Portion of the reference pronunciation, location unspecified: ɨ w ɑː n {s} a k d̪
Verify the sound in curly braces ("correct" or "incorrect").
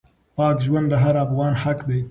incorrect